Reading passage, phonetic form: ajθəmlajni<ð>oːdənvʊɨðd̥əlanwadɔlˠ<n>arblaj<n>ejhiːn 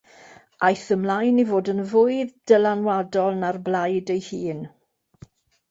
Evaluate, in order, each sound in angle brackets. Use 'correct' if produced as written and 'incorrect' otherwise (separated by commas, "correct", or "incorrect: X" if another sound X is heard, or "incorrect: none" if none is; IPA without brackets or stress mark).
incorrect: v, correct, incorrect: d